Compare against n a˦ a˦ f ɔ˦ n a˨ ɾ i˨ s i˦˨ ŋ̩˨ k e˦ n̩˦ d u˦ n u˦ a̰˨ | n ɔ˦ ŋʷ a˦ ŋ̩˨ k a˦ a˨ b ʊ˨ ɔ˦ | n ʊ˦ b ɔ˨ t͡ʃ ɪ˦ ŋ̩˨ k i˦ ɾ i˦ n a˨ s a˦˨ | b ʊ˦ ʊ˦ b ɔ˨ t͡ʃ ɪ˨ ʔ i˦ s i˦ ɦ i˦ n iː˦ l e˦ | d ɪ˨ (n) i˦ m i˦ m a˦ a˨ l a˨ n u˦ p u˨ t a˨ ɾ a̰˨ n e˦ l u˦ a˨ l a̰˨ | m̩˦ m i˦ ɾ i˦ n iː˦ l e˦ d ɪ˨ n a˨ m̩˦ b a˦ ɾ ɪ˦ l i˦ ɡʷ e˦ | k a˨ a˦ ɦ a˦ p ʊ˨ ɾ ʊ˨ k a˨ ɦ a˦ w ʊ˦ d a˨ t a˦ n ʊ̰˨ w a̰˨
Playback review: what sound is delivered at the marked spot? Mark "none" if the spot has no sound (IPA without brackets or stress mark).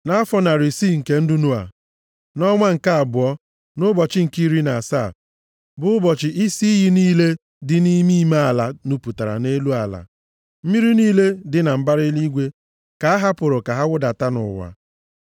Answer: n